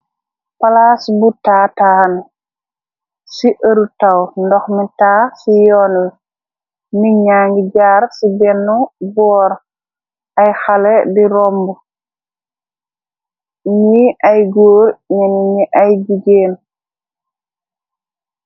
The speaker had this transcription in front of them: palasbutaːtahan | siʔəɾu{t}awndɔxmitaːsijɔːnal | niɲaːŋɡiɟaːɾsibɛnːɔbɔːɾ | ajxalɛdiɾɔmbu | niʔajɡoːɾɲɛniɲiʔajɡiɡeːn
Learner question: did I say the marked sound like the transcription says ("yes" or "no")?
yes